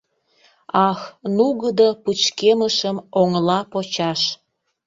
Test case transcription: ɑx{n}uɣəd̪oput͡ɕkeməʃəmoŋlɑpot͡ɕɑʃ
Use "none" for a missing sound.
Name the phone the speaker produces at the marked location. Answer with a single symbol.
n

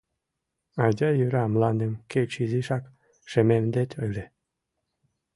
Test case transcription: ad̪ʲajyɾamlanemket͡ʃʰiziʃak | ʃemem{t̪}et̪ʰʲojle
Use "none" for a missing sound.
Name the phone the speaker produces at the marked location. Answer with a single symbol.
d̪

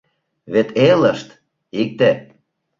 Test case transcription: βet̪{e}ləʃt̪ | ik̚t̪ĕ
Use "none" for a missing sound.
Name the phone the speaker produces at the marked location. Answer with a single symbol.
e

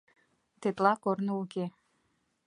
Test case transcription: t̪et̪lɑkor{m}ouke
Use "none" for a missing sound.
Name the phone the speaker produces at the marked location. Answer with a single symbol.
n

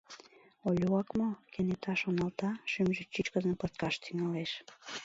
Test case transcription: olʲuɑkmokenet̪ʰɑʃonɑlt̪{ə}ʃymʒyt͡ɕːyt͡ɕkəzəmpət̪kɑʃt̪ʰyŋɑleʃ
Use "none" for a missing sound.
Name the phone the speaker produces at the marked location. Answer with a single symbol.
ɑ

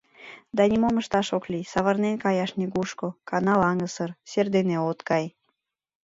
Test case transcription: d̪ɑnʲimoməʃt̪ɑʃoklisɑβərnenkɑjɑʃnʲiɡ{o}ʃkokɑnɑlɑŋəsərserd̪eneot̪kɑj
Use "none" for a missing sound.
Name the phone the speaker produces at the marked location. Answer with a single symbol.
u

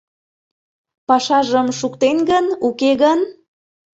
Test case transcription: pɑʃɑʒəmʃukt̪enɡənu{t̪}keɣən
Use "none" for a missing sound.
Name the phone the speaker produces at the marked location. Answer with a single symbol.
none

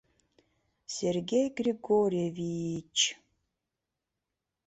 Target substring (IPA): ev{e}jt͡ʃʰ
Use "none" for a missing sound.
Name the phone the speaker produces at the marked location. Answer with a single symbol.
i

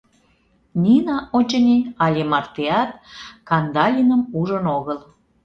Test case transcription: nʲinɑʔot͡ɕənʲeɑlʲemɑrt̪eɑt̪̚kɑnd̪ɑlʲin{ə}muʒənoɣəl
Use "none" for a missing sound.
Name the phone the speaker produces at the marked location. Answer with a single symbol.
ə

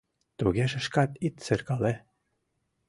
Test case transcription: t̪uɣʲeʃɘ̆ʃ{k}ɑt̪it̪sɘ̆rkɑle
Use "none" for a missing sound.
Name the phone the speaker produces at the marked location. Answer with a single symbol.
k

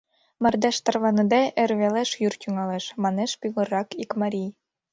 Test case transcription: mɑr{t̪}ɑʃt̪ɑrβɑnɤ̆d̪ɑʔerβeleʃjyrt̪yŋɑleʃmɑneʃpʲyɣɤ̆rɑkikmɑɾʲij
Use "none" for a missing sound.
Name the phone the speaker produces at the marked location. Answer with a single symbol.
d̪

